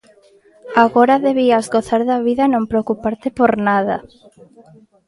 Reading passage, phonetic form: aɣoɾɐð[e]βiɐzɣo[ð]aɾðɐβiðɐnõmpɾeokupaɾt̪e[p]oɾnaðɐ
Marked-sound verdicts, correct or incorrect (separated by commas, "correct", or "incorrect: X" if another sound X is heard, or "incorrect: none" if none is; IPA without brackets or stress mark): correct, incorrect: θ, correct